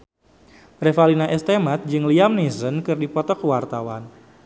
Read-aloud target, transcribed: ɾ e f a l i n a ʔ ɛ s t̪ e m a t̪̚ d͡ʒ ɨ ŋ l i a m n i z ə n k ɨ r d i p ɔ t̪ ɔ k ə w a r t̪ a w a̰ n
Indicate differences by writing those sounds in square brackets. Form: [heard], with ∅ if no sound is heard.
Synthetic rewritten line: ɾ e f a l i n a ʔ ɛ s t̪ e m a t̪̚ d͡ʒ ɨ ŋ l i a m n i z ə n k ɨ r d i p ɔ t̪ ɔ k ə w a r t̪ a w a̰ n